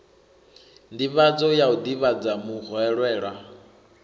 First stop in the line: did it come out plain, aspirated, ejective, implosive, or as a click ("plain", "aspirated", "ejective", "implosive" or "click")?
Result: plain